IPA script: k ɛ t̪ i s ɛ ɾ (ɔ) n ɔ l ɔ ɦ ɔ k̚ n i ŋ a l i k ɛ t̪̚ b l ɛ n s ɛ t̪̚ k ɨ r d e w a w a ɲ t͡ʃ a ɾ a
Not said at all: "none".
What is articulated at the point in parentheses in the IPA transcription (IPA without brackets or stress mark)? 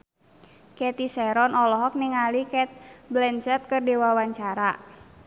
ɔ